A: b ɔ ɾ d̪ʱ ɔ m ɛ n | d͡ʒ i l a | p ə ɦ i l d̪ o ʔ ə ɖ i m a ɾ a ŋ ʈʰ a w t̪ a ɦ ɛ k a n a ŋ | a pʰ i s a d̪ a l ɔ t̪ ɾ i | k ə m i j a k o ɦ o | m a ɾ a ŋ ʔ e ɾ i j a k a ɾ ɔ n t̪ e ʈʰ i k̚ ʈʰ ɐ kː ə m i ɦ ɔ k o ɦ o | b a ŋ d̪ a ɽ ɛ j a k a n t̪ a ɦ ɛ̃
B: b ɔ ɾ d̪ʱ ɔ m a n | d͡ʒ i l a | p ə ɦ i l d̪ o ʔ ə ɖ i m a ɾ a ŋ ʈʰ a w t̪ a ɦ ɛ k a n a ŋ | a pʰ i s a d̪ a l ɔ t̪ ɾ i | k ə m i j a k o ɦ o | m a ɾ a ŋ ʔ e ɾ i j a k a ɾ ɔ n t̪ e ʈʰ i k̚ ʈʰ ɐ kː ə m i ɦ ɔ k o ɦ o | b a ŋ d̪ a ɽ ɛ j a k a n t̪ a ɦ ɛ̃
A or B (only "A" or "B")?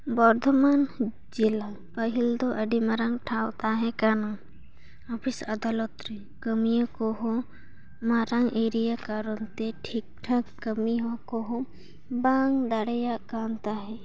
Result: B